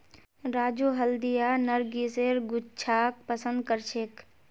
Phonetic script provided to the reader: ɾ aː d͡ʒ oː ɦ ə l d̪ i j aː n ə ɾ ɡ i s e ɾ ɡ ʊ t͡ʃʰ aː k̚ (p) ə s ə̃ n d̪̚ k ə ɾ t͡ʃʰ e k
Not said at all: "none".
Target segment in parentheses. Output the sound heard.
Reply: p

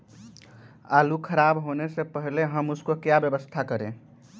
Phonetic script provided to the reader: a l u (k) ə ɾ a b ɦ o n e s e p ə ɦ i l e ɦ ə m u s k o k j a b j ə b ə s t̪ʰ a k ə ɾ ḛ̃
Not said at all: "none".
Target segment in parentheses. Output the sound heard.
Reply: kʰ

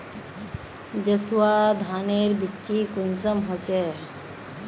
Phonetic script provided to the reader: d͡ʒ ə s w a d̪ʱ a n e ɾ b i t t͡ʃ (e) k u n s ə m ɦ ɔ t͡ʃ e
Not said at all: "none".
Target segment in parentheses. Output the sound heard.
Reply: i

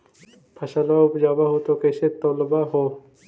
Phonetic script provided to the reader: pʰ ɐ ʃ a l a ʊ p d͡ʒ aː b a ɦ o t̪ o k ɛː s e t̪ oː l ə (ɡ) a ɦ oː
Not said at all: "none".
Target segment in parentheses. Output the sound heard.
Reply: b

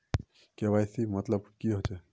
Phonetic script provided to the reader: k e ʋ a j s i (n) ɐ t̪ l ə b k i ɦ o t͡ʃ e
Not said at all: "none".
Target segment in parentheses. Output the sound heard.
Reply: m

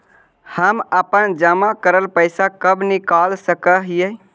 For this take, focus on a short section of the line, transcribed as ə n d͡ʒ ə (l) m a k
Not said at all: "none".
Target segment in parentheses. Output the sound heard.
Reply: none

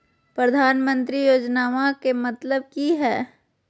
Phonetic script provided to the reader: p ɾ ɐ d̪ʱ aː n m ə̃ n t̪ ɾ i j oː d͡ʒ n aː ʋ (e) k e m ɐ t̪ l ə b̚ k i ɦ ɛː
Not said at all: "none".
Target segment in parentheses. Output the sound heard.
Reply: a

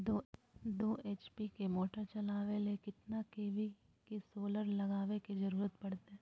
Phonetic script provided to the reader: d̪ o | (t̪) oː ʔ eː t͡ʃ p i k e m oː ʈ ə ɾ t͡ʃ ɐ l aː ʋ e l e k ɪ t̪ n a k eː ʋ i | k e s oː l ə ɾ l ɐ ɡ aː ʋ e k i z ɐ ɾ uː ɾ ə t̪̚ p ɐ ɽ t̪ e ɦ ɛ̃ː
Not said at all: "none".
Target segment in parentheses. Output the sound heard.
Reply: d̪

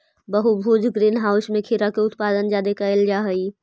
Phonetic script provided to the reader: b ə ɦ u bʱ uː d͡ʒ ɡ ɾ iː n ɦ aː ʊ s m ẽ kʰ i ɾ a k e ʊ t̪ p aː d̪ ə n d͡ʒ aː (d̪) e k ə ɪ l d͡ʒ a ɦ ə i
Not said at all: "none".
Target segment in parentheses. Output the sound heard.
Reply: d̪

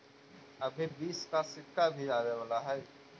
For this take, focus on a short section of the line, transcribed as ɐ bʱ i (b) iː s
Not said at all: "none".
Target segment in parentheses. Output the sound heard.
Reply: b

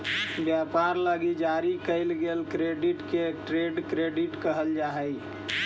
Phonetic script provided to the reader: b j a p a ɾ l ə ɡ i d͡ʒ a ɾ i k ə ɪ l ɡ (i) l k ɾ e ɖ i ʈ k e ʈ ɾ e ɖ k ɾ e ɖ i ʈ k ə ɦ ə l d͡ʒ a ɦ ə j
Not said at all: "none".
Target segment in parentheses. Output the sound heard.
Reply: e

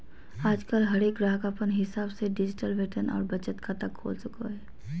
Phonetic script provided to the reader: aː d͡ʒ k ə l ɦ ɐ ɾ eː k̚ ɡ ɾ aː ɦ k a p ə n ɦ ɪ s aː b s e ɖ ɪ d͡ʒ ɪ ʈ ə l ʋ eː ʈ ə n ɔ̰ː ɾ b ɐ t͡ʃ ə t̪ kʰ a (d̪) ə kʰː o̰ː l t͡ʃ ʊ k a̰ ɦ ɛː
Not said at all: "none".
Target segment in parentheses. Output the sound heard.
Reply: t̪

